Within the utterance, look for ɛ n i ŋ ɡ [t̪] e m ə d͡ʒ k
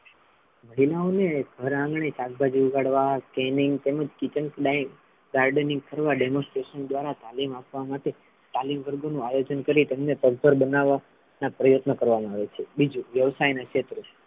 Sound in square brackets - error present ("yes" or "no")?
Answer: no